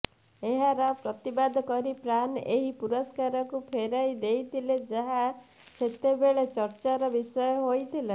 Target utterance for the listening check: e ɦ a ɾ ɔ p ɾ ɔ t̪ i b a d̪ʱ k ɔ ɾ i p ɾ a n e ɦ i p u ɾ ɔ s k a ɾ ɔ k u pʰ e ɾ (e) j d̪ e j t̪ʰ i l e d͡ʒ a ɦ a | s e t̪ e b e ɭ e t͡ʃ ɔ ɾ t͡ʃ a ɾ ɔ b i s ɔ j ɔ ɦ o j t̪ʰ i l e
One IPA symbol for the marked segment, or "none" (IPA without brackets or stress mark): a